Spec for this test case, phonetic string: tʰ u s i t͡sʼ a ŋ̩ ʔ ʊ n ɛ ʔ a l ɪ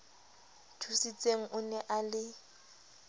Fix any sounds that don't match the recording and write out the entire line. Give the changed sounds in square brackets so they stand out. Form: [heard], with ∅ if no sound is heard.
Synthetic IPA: tʰ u s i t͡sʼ [e] ŋ̩ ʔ ʊ n ɛ ʔ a l ɪ